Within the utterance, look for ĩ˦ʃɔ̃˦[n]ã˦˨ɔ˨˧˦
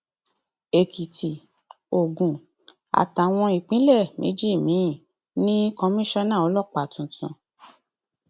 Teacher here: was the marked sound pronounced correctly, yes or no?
yes